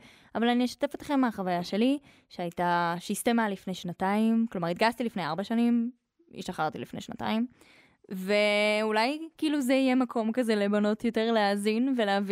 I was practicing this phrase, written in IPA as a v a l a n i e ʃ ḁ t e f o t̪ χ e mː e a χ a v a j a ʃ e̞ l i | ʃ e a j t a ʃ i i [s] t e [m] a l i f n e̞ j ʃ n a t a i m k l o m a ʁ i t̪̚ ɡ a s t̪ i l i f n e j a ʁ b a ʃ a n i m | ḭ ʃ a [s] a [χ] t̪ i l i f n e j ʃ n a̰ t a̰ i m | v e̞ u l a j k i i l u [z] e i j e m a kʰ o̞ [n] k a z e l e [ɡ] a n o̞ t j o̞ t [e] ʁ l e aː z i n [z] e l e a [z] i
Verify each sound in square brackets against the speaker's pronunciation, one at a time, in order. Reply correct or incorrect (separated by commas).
correct, correct, incorrect, incorrect, correct, incorrect, incorrect, correct, incorrect, incorrect